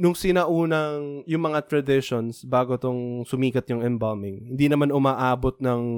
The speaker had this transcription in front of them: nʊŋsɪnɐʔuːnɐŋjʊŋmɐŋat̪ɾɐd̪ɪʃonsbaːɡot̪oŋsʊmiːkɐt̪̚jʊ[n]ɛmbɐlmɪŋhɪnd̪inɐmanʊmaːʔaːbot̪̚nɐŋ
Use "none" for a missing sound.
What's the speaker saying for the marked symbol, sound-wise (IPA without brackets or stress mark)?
ŋ